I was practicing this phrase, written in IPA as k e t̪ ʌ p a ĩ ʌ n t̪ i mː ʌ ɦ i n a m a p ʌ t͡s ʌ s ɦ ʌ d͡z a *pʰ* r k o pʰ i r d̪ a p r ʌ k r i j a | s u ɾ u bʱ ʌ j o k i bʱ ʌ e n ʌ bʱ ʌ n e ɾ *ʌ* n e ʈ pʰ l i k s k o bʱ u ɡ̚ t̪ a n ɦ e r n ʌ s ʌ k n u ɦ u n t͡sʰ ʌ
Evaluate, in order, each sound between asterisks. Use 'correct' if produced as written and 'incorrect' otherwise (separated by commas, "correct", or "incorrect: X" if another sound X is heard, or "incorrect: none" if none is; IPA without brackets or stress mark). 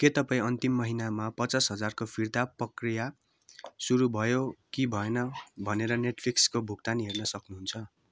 incorrect: none, correct